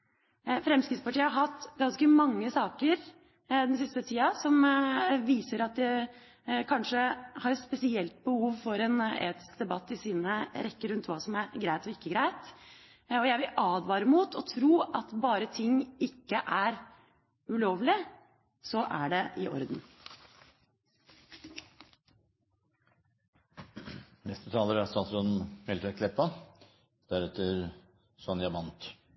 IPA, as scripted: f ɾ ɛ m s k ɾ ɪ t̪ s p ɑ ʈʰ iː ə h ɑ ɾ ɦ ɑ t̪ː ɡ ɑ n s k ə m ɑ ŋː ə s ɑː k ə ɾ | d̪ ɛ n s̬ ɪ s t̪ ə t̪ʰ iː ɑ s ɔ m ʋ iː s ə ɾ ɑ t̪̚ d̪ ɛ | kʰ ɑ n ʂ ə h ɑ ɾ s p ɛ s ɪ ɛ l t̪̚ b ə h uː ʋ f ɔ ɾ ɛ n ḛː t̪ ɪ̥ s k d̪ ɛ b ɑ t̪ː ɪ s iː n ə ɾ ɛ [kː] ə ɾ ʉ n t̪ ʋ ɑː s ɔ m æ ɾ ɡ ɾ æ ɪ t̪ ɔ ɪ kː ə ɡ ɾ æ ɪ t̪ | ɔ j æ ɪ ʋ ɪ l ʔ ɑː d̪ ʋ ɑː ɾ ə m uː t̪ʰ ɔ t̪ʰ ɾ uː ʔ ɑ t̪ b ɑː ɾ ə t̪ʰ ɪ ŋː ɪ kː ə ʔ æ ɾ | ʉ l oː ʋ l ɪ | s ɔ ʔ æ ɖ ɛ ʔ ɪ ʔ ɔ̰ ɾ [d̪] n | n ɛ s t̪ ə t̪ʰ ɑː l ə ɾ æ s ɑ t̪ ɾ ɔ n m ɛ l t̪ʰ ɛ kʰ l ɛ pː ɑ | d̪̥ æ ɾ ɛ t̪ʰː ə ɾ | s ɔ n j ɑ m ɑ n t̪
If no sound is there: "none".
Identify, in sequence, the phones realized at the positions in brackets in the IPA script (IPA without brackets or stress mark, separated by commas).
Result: kː, d̪